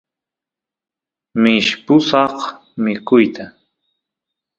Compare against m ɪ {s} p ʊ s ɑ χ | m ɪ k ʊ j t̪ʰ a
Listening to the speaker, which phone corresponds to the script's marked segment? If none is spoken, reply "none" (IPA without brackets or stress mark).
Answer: ʃ